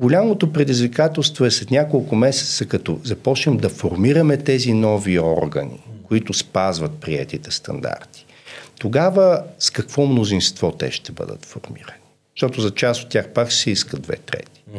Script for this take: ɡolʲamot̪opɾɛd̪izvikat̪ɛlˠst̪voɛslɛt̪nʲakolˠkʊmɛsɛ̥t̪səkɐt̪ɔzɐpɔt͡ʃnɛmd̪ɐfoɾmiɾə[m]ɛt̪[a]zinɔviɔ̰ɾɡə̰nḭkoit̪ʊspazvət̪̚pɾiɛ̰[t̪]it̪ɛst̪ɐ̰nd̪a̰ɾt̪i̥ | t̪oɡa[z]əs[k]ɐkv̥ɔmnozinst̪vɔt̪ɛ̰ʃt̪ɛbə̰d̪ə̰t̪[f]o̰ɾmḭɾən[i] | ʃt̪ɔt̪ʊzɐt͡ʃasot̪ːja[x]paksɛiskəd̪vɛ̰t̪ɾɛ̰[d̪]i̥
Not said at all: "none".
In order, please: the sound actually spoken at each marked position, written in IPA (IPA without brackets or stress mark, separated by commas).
m, ɛ, t̪, v, k, f, i, x, t̪